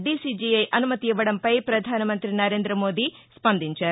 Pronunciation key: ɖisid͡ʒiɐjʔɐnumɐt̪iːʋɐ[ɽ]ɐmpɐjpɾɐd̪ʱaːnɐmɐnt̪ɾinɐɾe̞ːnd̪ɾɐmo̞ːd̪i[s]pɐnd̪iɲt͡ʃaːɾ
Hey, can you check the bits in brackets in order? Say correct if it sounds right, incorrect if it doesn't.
correct, correct

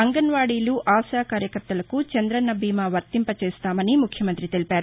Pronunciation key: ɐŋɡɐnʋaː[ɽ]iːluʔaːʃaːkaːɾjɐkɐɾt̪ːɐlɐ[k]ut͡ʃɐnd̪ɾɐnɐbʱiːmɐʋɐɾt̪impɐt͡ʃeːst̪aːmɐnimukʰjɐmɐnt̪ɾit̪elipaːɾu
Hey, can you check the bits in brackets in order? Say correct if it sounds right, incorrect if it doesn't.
correct, correct

